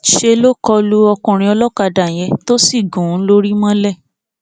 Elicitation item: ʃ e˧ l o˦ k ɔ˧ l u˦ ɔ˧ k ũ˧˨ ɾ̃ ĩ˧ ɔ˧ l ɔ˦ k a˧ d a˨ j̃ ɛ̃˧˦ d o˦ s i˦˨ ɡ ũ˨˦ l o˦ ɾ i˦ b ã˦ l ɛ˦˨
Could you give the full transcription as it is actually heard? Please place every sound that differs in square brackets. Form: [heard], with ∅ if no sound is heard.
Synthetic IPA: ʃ e˧ l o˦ k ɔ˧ l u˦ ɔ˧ k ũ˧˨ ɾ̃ ĩ˧ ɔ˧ l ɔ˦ k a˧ d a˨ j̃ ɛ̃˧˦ [t] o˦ s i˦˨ ɡ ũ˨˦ l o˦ ɾ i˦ [m] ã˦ l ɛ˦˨